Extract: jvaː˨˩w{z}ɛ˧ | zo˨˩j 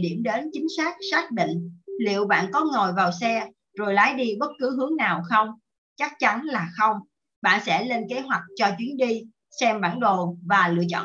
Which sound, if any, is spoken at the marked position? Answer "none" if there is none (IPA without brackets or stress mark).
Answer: s